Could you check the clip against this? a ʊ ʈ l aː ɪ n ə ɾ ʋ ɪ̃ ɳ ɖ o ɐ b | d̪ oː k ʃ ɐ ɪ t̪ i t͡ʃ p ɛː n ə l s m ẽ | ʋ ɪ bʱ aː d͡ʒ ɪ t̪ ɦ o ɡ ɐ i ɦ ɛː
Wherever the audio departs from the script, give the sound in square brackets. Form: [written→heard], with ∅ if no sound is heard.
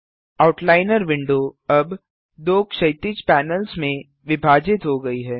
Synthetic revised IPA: a ʊ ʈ l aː ɪ n ə ɾ ʋ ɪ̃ ɳ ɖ o ɐ b | d̪ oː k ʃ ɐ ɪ t̪ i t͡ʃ p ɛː n ə l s m ẽ | ʋ ɪ bʱ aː d͡ʒ ɪ t̪ ɦ o ɡ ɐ i ɦ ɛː